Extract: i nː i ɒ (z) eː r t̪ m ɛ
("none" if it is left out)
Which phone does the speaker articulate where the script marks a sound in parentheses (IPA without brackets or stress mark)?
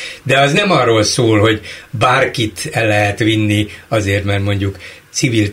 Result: z